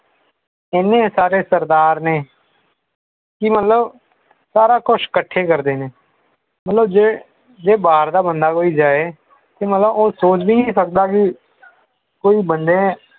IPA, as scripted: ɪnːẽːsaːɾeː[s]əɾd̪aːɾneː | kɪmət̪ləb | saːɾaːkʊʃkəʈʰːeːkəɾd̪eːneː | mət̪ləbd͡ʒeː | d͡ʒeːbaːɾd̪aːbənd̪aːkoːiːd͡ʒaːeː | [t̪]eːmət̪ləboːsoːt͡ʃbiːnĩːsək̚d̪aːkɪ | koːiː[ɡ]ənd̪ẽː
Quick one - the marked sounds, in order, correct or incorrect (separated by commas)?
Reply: correct, correct, incorrect